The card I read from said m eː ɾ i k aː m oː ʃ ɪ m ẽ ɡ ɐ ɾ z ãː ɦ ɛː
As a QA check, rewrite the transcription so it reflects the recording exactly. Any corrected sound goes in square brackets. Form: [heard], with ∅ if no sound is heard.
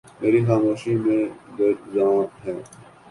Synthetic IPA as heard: m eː ɾ i [x] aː m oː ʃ [i] m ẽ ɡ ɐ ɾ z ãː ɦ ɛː